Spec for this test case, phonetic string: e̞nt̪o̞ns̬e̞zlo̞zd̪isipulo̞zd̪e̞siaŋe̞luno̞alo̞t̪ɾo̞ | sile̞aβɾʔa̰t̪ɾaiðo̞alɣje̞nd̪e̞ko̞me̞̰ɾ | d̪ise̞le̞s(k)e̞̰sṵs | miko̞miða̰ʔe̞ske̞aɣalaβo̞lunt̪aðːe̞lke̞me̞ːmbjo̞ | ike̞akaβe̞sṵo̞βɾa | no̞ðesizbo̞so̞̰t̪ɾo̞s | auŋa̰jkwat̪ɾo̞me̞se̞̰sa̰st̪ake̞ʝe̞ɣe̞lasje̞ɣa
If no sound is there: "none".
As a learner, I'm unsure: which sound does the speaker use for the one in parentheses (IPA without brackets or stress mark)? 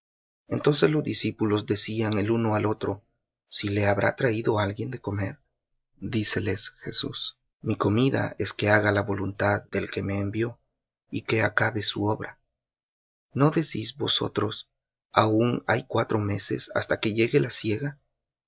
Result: x